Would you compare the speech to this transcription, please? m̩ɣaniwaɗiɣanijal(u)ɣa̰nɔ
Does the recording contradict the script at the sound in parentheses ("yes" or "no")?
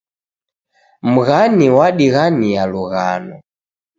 no